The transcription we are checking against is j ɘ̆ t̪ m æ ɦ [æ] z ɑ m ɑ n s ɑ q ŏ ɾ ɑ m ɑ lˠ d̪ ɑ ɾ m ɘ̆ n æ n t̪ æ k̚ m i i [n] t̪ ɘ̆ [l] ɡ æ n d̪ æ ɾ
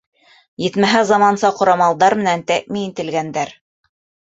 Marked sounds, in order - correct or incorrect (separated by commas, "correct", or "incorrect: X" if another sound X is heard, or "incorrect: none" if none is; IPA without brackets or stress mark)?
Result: correct, correct, correct